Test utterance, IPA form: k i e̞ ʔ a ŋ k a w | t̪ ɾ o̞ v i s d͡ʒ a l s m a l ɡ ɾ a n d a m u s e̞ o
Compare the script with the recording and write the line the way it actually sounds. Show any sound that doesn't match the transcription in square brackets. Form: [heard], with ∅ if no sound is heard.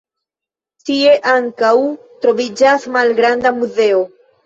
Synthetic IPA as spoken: [t] i e̞ ʔ a ŋ k a w | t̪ ɾ o̞ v i [∅] d͡ʒ a [∅] s m a l ɡ ɾ a n d a m u [z] e̞ o